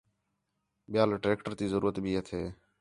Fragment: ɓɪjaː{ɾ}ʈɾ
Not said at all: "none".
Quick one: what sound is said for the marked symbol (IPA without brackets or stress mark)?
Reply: l